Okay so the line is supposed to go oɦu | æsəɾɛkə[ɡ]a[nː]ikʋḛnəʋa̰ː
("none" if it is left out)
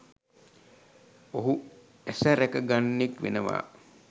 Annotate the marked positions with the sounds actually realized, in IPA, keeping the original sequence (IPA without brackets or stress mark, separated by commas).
ɡ, nː